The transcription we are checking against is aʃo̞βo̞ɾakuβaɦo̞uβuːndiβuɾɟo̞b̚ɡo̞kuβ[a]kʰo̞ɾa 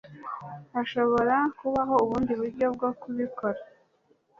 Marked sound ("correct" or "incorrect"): incorrect